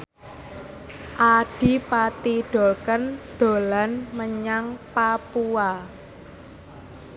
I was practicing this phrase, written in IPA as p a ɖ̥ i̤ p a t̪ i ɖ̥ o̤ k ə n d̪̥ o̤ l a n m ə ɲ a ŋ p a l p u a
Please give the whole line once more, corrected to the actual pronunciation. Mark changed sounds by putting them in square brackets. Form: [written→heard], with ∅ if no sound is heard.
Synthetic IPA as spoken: [p→ʔ] a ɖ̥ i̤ p a t̪ i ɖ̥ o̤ k ə n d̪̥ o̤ l a n m ə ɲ a ŋ p a [l→∅] p u a